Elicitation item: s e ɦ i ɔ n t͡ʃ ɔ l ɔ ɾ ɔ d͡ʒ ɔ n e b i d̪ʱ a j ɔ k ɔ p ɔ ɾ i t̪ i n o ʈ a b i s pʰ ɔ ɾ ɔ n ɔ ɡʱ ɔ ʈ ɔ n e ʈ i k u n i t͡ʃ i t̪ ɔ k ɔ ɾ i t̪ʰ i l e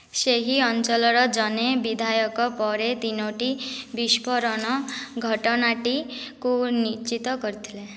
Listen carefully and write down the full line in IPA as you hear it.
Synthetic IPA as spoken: s e ɦ i ɔ n t͡ʃ ɔ l ɔ ɾ ɔ d͡ʒ ɔ n e b i d̪ʱ a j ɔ k ɔ p ɔ ɾ e t̪ i n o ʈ i b i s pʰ ɔ ɾ ɔ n ɔ ɡʱ ɔ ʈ ɔ n a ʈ i k u n i t͡ʃ i t̪ ɔ k ɔ ɾ i t̪ʰ i l e

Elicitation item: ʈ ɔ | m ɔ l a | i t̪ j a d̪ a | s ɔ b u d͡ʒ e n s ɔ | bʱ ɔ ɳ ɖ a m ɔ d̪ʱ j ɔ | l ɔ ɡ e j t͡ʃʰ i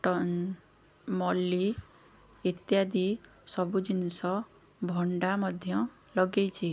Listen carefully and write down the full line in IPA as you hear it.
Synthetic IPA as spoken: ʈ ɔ | m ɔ l i | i t̪ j a d̪ i | s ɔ b u d͡ʒ i n s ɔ | bʱ ɔ ɳ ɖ a m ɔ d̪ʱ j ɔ | l ɔ ɡ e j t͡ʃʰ i

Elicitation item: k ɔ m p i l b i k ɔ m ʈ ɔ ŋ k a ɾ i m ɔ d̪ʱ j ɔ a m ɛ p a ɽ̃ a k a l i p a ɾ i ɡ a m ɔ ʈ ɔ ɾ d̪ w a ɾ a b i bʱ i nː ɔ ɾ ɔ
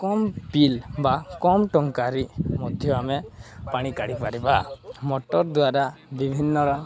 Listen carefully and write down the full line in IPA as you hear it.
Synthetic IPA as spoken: k ɔ m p i l b a k ɔ m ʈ ɔ ŋ k a ɾ i m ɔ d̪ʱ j ɔ a m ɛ p a ɽ̃ i k a ɽ i p a ɾ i b a m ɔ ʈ ɔ ɾ d̪ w a ɾ a b i bʱ i nː ɔ ɾ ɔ

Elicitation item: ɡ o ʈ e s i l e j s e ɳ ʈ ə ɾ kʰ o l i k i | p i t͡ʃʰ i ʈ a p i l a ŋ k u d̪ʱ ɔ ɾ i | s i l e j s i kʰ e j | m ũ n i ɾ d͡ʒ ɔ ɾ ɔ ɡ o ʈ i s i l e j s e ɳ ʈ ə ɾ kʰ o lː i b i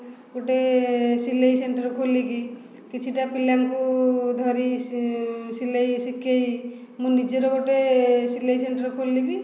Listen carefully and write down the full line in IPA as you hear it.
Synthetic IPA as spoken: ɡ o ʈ e s i l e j s e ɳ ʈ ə ɾ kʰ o l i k i | k i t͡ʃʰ i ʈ a p i l a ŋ k u d̪ʱ ɔ ɾ i | s i l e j s i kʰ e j | m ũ n i d͡ʒ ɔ ɾ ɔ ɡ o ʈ e s i l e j s e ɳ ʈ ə ɾ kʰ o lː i b i

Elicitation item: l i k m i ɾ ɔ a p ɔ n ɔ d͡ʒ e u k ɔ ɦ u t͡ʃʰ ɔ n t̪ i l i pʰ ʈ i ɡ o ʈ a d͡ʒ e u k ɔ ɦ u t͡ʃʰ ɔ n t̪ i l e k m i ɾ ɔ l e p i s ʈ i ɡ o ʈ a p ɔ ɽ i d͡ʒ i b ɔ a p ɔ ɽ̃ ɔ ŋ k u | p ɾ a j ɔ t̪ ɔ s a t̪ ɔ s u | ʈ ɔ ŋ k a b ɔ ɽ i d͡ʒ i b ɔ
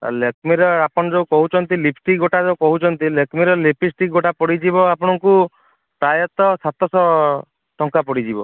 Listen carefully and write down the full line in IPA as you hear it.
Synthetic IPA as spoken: l e k m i ɾ ɔ a p ɔ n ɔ d͡ʒ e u k ɔ ɦ u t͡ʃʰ ɔ n t̪ i l i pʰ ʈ i ɡ o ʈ a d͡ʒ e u k ɔ ɦ u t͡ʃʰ ɔ n t̪ i l e k m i ɾ ɔ l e p i s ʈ i ɡ o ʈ a p ɔ ɽ i d͡ʒ i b ɔ a p ɔ ɽ̃ ɔ ŋ k u | p ɾ a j ɔ t̪ ɔ s a t̪ ɔ s ɔ | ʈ ɔ ŋ k a p ɔ ɽ i d͡ʒ i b ɔ

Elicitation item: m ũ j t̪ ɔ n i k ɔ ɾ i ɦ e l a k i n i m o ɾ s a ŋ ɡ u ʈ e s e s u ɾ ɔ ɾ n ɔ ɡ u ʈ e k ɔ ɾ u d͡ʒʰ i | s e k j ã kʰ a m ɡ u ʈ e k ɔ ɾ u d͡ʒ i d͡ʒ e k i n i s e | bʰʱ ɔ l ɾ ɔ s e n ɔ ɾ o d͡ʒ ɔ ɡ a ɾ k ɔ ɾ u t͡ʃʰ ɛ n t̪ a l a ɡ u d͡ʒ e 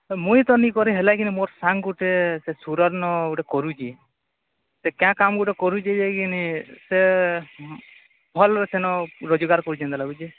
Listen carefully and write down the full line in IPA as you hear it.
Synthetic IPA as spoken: m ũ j t̪ ɔ n i k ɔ ɾ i ɦ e l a k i n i m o ɾ s a ŋ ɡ u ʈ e s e s u ɾ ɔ ɾ n ɔ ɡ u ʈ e k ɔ ɾ u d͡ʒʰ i | s e k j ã k a m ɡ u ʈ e k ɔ ɾ u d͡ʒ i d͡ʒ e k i n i s e | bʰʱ ɔ l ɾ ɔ s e n ɔ ɾ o d͡ʒ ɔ ɡ a ɾ k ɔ ɾ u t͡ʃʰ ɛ n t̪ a l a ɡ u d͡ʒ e

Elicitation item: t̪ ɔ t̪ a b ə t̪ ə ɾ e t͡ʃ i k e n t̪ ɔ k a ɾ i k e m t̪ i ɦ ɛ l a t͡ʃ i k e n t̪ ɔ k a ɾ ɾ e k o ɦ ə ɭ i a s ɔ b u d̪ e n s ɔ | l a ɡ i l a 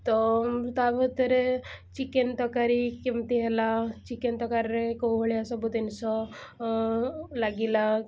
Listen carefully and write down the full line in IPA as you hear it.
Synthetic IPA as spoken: t̪ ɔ t̪ a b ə t̪ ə ɾ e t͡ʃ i k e n t̪ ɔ k a ɾ i k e m t̪ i ɦ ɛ l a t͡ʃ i k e n t̪ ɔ k a ɾ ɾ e k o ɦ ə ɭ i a s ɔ b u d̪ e n s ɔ | l a ɡ i l a

